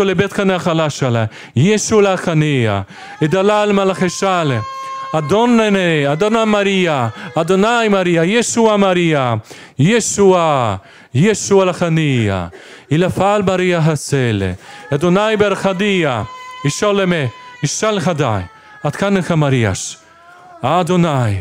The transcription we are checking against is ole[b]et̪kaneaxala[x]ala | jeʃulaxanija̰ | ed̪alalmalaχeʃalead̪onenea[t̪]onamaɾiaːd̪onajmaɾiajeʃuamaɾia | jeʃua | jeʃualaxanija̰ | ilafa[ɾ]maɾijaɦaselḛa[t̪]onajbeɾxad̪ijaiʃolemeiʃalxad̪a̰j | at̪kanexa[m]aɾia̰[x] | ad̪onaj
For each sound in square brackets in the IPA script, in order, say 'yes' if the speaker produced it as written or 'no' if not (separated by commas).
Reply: yes, no, no, no, no, yes, no